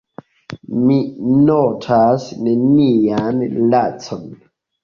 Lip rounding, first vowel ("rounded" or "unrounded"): unrounded